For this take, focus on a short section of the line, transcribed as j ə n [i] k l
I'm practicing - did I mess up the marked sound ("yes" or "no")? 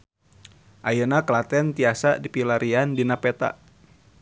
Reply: yes